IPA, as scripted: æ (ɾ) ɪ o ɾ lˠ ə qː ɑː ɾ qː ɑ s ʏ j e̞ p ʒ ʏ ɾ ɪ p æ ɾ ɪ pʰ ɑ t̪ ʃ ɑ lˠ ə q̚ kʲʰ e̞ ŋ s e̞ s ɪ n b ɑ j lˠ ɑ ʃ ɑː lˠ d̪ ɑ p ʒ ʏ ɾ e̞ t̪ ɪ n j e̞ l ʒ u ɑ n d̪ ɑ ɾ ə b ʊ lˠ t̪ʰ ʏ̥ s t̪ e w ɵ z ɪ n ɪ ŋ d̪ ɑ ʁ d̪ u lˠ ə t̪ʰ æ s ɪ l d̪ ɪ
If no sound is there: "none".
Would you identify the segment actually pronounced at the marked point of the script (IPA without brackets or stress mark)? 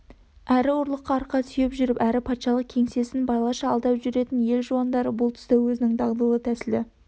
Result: ɾ